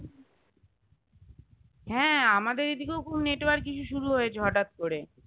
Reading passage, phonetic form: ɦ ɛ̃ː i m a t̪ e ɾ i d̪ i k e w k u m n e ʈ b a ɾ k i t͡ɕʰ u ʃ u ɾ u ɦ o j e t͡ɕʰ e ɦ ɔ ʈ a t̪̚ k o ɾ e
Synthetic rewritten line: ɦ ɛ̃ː a m a d̪ e ɾ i d̪ i k e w k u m n e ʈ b a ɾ k i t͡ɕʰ u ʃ u ɾ u ɦ o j e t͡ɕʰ e ɦ ɔ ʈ a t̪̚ k o ɾ e

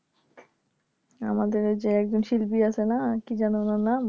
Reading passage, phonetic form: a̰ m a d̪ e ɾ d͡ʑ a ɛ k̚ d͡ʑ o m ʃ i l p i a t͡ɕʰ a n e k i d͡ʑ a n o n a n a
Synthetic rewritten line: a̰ m a d̪ e ɾ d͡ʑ e ɛ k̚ d͡ʑ o n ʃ i l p i a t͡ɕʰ e n a k i d͡ʑ a n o n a n a

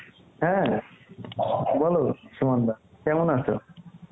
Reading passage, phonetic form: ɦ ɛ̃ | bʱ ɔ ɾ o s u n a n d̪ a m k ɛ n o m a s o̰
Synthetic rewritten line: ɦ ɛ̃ | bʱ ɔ l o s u m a n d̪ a k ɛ m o n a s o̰

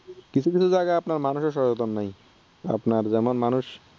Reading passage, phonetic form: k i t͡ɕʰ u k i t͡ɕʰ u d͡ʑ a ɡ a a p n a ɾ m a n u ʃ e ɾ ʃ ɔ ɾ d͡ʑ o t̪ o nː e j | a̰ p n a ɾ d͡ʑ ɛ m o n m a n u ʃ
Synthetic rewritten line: k i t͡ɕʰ u k i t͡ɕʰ u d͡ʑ a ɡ a a p n a ɾ m a n u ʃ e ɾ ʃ ɔ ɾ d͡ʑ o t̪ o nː a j | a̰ p n a ɾ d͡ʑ ɛ m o n m a n u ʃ

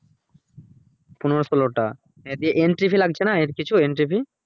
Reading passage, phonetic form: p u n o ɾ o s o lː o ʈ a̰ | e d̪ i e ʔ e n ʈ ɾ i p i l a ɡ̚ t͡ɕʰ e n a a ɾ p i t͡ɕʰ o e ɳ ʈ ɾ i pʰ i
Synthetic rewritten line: p u n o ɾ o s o l o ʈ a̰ | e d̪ i e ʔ e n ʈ ɾ i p i l a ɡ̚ t͡ɕʰ e n a e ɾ k i t͡ɕʰ u e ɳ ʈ ɾ i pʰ i

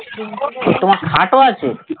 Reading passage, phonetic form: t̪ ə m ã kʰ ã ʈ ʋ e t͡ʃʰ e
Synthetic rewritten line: t̪ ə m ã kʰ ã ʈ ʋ a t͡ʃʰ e

